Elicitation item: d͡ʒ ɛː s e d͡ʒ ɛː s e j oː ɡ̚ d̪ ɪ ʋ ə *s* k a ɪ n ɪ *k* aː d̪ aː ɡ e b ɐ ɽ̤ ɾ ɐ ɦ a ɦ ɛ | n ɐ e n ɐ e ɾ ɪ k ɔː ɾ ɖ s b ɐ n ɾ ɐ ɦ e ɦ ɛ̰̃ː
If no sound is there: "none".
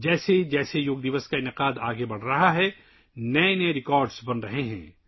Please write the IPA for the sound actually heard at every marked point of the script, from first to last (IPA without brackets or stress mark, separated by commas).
s, q